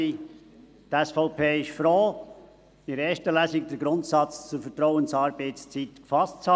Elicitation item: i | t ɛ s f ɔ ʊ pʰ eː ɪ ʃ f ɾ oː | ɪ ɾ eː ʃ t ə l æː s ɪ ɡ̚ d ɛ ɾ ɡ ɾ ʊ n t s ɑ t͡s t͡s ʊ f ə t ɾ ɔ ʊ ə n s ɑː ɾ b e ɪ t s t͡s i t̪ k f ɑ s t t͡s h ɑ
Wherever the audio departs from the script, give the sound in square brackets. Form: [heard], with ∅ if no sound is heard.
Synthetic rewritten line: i | t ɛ s f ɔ ʊ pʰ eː ɪ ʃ f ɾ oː | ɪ ɾ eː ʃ t ə l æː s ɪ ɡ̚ d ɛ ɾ ɡ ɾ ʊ n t s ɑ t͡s t͡s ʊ f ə t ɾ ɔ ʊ ə n s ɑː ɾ b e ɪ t s t͡s i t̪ k f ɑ s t t͡s h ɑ